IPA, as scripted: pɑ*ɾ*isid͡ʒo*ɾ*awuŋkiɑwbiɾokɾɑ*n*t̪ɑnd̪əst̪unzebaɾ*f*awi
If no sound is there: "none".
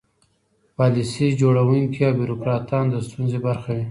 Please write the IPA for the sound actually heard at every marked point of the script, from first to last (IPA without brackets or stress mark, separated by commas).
l, ɽ, none, x